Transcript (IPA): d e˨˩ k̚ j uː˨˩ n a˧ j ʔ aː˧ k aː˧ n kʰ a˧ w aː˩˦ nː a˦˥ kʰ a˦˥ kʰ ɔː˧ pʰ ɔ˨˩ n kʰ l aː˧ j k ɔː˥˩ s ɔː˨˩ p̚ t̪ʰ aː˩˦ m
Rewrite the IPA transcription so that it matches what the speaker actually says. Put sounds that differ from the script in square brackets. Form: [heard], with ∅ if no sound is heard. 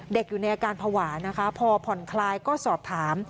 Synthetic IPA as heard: d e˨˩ k̚ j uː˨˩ n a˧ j ʔ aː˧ k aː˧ n [pʰ] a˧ w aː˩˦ [n] a˦˥ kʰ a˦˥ [pʰ] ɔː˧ pʰ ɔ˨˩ n kʰ l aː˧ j k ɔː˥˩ s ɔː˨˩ p̚ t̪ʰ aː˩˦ m